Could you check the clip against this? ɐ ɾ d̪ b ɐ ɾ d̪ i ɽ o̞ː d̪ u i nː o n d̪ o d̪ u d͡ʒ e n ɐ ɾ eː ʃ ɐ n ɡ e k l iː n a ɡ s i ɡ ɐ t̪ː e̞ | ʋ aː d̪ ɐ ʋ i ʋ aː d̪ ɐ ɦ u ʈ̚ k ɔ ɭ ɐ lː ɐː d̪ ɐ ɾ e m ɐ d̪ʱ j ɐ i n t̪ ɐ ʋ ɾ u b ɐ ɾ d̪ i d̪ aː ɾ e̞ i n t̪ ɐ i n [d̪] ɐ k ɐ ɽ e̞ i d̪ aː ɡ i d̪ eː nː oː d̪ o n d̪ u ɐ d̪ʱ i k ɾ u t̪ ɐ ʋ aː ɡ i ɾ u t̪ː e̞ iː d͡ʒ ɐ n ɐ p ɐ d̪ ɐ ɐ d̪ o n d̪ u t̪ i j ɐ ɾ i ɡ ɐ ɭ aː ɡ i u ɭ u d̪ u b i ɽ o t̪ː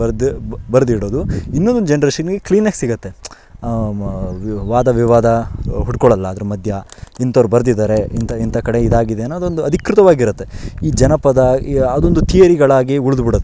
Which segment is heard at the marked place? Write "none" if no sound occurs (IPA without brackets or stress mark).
t̪